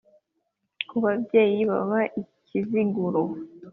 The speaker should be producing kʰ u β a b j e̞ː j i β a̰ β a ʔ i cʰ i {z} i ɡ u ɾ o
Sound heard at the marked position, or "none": z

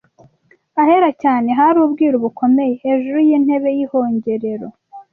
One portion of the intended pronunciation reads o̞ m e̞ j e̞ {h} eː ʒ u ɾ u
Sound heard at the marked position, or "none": h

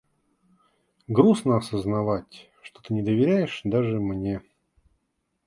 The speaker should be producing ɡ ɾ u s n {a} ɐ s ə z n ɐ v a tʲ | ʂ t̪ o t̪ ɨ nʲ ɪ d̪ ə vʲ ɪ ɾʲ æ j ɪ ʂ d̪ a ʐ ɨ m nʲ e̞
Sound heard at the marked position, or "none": ə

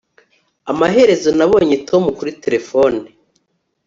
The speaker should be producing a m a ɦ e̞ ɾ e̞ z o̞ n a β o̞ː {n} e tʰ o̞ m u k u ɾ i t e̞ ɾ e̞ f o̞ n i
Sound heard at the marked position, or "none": ɲ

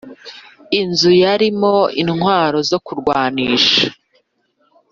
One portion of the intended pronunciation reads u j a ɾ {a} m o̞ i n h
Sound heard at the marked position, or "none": i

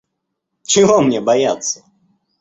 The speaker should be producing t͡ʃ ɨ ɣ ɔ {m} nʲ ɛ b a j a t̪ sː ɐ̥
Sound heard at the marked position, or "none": m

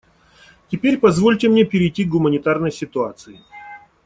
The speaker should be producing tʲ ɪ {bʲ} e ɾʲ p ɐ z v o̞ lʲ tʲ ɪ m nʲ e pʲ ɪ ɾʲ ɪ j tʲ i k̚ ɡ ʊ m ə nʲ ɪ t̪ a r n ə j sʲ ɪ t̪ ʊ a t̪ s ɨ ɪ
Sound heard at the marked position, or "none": pʲ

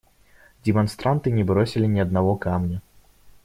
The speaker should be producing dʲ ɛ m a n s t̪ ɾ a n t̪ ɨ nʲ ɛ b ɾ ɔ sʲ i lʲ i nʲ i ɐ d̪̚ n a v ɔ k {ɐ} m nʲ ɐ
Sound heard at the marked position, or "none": a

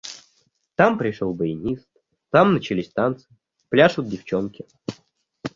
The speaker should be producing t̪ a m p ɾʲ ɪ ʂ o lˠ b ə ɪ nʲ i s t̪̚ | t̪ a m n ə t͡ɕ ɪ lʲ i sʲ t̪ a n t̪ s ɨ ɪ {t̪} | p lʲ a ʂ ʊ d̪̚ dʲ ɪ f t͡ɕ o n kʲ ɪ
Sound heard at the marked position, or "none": none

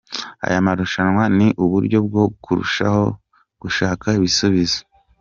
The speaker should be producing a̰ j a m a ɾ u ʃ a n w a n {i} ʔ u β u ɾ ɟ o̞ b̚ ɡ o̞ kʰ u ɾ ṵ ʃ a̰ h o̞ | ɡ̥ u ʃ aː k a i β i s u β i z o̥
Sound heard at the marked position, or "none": i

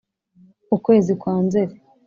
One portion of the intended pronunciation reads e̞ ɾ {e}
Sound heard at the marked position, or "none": e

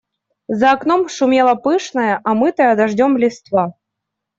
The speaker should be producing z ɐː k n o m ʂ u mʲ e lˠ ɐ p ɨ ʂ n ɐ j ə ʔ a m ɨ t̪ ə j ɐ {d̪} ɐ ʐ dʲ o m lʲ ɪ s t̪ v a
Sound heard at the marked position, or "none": d̪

